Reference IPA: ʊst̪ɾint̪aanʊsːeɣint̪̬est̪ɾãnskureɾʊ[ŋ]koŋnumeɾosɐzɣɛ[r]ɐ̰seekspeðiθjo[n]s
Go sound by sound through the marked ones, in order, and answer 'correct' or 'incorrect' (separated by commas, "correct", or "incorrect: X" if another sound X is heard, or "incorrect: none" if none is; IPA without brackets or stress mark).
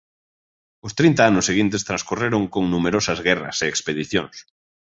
correct, correct, incorrect: ŋ